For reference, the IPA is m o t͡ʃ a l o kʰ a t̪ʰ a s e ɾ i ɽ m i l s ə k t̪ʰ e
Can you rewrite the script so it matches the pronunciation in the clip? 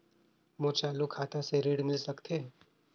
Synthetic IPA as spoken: m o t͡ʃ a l u kʰ a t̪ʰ a s e ɾ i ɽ m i l s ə k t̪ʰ e